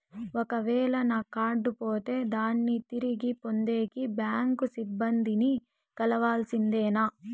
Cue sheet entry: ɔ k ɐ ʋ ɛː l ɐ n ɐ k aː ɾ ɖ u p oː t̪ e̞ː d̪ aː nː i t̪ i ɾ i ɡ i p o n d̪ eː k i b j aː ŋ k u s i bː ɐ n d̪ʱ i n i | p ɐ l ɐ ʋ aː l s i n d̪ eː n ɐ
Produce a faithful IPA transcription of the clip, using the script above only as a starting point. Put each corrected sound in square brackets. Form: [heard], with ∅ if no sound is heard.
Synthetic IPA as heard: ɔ k ɐ ʋ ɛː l ɐ n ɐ k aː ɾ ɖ u p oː t̪ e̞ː d̪ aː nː i t̪ i ɾ i ɡ i p o n d̪ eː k i b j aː ŋ k u s i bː ɐ n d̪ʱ i n i | [k] ɐ l ɐ ʋ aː l s i n d̪ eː n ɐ